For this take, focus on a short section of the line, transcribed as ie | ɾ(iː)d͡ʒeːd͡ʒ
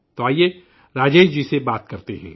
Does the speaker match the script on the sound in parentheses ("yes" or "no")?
no